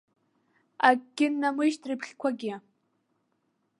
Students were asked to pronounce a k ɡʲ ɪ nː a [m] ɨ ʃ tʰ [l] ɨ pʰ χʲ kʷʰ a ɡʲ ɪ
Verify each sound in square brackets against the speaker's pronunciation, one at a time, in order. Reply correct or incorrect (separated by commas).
correct, incorrect